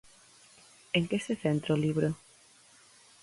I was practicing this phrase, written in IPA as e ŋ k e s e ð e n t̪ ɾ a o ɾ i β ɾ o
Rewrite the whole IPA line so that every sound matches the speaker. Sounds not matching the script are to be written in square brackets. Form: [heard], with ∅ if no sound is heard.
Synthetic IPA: e ŋ k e s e [θ] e n t̪ ɾ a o [l] i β ɾ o